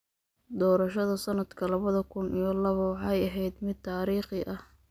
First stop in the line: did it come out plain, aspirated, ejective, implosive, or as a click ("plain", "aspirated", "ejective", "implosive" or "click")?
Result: plain